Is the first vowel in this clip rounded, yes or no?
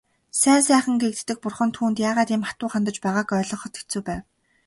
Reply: no